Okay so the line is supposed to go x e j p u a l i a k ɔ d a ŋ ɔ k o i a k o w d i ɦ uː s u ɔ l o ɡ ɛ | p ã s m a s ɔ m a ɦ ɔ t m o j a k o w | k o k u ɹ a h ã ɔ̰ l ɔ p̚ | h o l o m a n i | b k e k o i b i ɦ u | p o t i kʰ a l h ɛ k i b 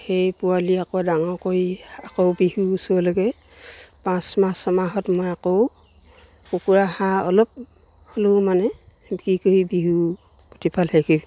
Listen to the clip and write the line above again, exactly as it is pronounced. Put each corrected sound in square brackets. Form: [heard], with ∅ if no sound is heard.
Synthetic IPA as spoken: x e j p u a l i a k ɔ d a ŋ ɔ k o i a k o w [b] i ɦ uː s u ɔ l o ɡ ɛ | p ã s m a s ɔ m a ɦ ɔ t m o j a k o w | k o k u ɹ a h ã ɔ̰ l ɔ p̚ | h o l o m a n [ɛ] | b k [i] k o i b i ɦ u | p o t i [pʰ] a l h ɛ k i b